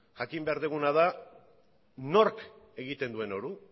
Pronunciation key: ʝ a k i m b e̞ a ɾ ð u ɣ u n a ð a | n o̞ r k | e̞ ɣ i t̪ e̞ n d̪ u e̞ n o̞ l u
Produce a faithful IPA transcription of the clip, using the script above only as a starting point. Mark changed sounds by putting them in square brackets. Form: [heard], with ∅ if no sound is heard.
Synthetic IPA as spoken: ʝ a k i m b e̞ a ɾ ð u ɣ u n a ð a | n o̞ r k | e̞ ɣ i t̪ e̞ n d̪ u e̞ n o̞ [ɾ] u